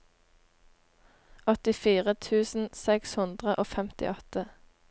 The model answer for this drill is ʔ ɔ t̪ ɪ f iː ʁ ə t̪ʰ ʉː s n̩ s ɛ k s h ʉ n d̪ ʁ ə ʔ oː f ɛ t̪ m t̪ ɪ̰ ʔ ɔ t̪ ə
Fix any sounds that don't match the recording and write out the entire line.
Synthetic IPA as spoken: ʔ ɔ t̪ ɪ f iː ʁ ə t̪ʰ ʉː s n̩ s ɛ k s h ʉ n d̪ ʁ ə ʔ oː f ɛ m t̪ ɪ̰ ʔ ɔ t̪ ə